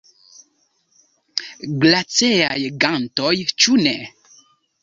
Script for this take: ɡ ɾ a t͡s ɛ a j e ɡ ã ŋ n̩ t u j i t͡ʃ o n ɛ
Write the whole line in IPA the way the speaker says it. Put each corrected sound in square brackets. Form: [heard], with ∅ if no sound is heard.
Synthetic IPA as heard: ɡ [l] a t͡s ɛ a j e ɡ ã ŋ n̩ t [ɔ] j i t͡ʃ [u] n ɛ